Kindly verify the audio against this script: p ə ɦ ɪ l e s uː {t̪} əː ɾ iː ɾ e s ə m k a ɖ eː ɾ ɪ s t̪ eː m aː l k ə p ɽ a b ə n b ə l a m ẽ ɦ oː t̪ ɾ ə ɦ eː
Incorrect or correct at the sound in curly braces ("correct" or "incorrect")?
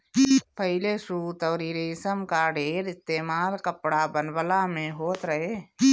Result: correct